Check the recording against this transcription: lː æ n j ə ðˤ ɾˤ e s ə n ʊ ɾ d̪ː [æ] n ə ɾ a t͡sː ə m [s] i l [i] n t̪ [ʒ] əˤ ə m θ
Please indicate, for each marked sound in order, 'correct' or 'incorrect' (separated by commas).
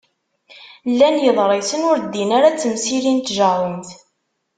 incorrect, correct, correct, correct